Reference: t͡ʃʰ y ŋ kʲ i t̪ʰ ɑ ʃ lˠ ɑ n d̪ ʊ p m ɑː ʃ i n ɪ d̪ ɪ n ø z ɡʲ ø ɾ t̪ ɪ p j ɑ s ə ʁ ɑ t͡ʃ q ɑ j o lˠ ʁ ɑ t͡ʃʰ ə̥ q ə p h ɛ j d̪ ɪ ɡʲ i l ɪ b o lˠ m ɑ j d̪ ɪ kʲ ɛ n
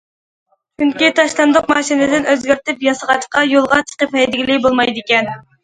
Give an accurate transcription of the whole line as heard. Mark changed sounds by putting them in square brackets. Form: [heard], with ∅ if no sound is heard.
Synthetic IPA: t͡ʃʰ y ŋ kʲ i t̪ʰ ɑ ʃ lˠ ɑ n d̪ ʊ [q] m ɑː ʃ i n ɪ d̪ ɪ n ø z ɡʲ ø ɾ t̪ ɪ p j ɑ s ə ʁ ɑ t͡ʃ q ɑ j o lˠ ʁ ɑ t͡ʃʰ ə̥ q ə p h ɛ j d̪ ɪ ɡʲ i l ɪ b o lˠ m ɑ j d̪ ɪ kʲ ɛ n